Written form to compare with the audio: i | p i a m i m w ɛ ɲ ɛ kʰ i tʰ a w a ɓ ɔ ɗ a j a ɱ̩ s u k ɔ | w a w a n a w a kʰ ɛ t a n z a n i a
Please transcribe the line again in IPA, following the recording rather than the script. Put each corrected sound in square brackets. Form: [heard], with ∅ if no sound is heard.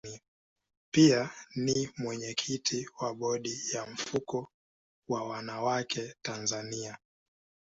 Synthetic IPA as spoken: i | p i a [n] i m w ɛ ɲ ɛ kʰ i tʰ [i] w a ɓ ɔ ɗ [i] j a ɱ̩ [f] u k ɔ | w a w a n a w a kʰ ɛ t a n z a n i a